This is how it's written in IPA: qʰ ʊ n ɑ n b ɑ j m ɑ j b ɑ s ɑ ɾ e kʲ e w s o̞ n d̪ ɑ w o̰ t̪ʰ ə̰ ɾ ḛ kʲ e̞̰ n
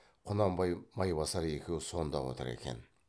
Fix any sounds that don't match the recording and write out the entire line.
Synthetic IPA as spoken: qʰ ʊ n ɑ m b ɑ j m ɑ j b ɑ s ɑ ɾ e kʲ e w s o̞ n d̪ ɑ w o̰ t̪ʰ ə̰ ɾ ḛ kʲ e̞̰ n